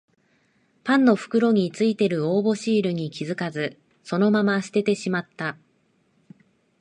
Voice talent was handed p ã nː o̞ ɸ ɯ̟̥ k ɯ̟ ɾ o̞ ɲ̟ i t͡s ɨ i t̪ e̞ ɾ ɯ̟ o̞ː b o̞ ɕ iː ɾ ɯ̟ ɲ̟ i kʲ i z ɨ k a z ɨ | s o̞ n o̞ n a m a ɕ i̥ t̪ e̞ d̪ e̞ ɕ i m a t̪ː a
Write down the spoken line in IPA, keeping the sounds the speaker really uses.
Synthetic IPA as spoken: p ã nː o̞ ɸ ɯ̟̥ k ɯ̟ ɾ o̞ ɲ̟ i t͡s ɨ i t̪ e̞ ɾ ɯ̟ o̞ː b o̞ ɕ iː ɾ ɯ̟ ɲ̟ i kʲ i z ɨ k a z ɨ | s o̞ n o̞ m a m a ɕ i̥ t̪ e̞ t̪ e̞ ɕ i m a t̪ː a